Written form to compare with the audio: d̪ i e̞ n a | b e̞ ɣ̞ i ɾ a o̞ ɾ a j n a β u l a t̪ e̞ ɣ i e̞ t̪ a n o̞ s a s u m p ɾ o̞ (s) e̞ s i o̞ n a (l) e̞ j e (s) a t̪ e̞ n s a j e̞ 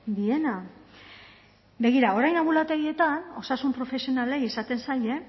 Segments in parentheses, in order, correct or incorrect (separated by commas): incorrect, correct, correct